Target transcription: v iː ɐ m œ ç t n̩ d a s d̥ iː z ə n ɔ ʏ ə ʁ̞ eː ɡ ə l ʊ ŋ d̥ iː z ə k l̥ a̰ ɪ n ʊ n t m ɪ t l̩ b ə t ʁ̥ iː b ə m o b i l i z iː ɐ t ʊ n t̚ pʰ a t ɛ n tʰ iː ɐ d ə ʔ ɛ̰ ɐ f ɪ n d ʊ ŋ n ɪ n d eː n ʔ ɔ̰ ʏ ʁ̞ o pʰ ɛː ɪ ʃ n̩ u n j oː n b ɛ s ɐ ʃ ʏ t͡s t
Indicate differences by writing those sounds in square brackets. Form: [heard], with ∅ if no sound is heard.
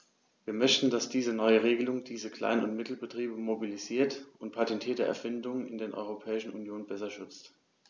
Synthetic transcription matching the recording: v iː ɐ m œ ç t n̩ d a s d̥ iː z ə n ɔ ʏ ə ʁ̞ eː ɡ ə l ʊ ŋ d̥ iː z ə k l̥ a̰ ɪ n ʊ n t m ɪ t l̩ b ə t ʁ̥ iː b ə m o b i l i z iː ɐ t ʊ n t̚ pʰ a t ɛ n tʰ iː ɐ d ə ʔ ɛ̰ ɐ f ɪ n d ʊ ŋ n ɪ n d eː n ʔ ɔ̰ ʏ ʁ̞ o pʰ ɛː ɪ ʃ n̩ u n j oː n b ɛ s ɐ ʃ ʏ t͡s t